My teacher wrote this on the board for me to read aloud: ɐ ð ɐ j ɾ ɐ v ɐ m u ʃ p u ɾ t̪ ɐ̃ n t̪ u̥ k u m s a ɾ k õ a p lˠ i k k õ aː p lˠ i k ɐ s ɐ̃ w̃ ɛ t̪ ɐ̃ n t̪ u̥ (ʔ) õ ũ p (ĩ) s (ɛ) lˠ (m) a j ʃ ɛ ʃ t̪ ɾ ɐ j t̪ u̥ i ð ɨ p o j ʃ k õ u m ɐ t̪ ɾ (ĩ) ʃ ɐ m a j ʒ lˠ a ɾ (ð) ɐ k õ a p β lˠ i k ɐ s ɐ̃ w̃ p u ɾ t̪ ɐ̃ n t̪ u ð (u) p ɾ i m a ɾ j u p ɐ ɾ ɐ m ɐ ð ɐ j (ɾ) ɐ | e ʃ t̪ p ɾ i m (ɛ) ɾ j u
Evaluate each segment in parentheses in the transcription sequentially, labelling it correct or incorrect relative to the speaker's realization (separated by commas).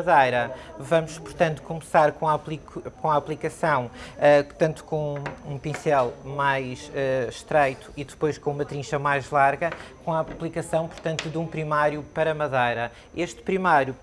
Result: incorrect, correct, correct, correct, correct, incorrect, incorrect, correct, incorrect